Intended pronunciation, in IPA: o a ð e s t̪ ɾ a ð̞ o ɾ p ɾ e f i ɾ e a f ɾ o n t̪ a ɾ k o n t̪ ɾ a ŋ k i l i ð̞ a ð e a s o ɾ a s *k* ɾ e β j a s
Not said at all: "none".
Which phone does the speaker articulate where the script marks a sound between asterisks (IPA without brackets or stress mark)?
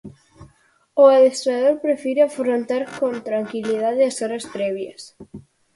p